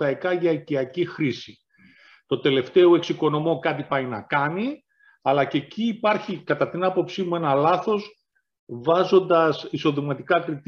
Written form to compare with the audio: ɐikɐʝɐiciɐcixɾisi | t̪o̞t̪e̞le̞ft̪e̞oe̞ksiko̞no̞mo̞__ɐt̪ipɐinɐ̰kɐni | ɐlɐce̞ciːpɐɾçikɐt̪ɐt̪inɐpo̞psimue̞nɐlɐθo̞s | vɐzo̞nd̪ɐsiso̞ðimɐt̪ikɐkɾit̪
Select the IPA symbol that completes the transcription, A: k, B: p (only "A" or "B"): A